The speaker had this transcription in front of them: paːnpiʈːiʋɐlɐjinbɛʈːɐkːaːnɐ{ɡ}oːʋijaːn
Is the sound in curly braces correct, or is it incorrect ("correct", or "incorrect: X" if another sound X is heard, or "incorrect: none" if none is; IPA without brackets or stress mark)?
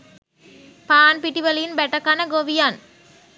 correct